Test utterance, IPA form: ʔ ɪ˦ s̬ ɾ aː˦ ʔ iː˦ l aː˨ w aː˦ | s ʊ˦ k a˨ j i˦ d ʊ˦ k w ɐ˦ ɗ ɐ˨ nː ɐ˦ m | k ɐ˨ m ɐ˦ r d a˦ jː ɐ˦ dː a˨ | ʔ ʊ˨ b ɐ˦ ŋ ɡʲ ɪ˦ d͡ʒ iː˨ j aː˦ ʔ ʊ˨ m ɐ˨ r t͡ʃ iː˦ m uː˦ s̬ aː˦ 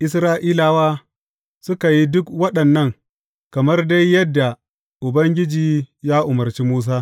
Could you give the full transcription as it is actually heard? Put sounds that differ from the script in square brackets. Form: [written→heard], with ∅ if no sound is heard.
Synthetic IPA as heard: ʔ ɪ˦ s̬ ɾ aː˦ ʔ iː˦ l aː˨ w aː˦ | s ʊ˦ k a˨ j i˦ d ʊ˦ k w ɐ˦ ɗ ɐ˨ nː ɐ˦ [m→ŋ] | k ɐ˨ m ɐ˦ r d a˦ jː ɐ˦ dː a˨ | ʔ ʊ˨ b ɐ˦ ŋ ɡʲ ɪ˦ d͡ʒ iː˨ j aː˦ ʔ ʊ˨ m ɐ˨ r t͡ʃ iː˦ m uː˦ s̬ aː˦